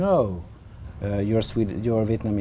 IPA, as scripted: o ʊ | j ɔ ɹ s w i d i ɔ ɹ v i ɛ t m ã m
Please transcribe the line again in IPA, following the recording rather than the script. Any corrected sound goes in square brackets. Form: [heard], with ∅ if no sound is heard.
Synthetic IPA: o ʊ | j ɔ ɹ s w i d [j] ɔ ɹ v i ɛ t [n] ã m